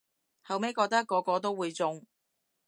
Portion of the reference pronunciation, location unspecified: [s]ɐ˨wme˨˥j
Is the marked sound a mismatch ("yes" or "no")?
yes